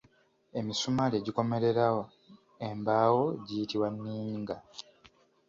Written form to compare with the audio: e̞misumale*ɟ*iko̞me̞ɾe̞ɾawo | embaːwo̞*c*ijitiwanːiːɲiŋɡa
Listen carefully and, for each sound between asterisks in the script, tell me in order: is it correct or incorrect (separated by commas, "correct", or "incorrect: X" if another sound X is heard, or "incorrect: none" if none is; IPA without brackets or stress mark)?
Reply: correct, incorrect: ɟ